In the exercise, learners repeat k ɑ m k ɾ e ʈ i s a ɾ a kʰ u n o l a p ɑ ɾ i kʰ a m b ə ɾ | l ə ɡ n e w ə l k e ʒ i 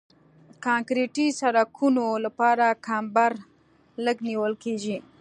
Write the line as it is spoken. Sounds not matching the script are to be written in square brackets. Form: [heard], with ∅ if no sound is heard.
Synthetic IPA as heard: k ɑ [ŋ] k ɾ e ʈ i s a ɾ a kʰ u n o l a p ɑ ɾ [a] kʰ a m b [a] ɾ | l ə ɡ n [i] w ə l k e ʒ i